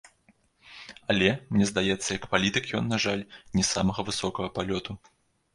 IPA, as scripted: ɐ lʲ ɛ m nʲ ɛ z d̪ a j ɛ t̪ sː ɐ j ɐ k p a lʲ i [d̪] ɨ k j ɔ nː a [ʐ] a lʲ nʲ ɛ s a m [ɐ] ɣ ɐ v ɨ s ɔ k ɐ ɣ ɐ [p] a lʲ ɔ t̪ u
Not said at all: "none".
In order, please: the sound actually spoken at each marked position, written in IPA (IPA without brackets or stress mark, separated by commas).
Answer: t̪, ʐ, ɐ, p